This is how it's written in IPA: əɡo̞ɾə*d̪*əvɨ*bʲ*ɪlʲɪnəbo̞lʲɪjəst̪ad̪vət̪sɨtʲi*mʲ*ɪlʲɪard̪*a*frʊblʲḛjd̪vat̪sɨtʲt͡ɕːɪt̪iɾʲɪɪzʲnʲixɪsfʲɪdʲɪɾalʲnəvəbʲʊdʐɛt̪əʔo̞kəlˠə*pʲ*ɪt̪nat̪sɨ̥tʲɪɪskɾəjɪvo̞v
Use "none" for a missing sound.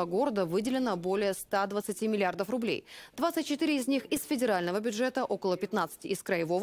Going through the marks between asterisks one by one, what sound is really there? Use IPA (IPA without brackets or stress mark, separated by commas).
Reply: d̪, dʲ, mʲ, ə, pʲ